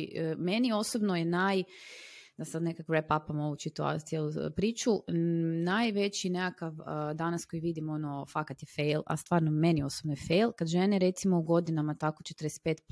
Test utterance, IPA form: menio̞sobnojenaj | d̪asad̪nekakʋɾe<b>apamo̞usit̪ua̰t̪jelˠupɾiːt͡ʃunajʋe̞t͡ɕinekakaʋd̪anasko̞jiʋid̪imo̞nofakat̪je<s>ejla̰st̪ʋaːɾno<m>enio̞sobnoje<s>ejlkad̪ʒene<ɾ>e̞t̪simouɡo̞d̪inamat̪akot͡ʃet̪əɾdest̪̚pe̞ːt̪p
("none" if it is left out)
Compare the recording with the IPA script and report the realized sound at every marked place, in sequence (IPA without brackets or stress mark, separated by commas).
p, f, m, f, ɾ